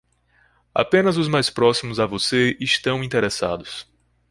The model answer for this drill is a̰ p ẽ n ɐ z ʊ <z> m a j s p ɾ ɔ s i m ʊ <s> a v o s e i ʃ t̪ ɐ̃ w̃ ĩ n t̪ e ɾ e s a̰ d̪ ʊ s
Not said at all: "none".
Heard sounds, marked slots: z, z

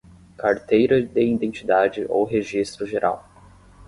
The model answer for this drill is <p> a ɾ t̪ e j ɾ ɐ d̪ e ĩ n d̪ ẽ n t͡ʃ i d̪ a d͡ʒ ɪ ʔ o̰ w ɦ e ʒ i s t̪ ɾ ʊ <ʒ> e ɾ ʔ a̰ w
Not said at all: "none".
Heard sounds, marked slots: k, ʒ

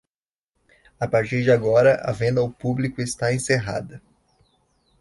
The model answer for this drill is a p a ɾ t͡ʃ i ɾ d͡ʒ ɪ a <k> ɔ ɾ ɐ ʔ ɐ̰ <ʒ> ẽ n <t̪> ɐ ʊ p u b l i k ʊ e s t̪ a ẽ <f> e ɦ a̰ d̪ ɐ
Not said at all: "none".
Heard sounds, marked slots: ɡ, v, d̪, s

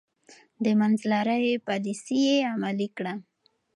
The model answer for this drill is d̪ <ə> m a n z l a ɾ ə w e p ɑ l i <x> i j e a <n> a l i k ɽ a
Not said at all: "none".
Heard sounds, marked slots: ə, s, m

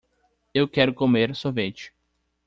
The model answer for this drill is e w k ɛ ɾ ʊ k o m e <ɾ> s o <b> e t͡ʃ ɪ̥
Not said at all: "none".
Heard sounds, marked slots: ɾ, v

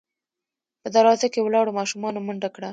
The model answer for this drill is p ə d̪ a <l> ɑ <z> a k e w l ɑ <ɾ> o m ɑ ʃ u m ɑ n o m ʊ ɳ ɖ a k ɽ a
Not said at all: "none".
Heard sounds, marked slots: ɾ, z, ɽ

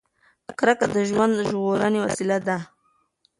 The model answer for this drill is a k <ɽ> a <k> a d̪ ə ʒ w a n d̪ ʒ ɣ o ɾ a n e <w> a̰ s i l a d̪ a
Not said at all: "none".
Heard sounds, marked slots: ɾ, k, w

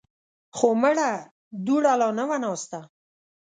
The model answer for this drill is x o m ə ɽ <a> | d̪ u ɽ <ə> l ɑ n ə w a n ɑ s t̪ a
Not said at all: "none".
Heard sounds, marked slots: a, a

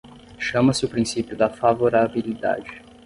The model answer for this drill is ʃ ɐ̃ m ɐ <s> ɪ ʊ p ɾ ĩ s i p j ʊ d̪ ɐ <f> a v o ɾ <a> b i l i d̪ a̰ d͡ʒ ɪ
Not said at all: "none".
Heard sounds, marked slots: s, f, a

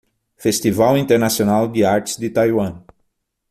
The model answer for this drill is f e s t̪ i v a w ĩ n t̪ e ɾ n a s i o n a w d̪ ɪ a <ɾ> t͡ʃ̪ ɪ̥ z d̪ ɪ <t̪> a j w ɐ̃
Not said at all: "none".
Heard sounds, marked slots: ɾ, t̪

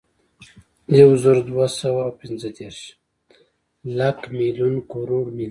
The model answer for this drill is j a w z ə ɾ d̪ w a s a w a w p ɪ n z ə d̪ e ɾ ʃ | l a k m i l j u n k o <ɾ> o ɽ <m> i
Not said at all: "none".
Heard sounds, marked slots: ɾ, m

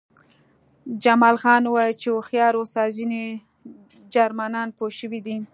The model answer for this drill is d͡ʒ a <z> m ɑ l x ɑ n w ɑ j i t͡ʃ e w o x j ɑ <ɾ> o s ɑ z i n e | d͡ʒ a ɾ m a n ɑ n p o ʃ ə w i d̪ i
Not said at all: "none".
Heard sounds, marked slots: none, ɾ

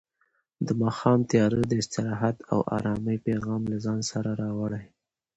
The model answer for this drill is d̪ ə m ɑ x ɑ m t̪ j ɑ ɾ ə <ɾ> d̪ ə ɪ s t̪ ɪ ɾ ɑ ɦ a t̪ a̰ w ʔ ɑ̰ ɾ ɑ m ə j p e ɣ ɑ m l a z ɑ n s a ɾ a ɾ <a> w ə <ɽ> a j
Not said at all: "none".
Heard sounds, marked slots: none, ɑ, ɽ

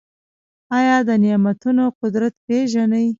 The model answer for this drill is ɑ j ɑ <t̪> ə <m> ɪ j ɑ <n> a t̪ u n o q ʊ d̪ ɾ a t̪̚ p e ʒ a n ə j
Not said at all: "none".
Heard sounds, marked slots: d̪, n, m

